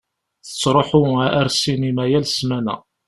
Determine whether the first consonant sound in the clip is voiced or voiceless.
voiceless